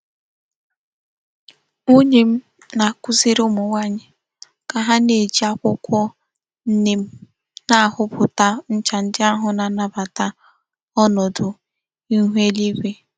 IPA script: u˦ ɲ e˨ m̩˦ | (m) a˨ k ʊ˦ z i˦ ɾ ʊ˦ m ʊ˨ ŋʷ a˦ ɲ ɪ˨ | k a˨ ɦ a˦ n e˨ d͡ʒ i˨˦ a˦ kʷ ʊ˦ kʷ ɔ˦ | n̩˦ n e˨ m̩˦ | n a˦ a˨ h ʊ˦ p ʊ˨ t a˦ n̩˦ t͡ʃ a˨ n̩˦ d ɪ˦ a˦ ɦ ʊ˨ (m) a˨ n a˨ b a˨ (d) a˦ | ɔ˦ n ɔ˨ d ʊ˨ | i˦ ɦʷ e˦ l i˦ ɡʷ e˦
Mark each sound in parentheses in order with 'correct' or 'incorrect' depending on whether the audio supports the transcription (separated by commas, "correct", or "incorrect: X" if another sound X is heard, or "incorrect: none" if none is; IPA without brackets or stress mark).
incorrect: n, incorrect: n, incorrect: t